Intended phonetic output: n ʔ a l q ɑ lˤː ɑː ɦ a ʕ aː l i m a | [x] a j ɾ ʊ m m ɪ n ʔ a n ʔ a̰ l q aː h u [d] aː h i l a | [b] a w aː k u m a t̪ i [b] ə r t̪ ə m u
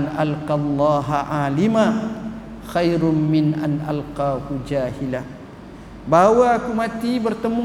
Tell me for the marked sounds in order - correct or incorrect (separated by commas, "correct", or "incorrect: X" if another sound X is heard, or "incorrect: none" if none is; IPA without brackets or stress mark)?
correct, incorrect: d͡ʒ, correct, correct